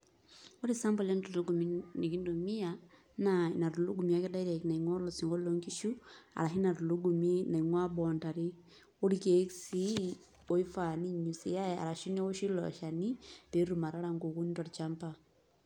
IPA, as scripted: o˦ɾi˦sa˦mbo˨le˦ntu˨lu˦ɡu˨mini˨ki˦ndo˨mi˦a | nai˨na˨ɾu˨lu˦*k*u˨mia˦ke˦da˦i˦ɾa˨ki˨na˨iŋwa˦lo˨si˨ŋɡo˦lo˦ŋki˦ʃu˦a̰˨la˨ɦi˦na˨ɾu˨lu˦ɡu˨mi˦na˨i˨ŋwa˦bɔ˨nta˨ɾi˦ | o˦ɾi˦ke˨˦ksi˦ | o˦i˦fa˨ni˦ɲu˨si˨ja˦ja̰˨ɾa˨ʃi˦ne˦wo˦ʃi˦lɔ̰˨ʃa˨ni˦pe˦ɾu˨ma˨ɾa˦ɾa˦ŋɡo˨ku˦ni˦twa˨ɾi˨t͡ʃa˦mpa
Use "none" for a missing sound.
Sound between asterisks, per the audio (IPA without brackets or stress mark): ɡ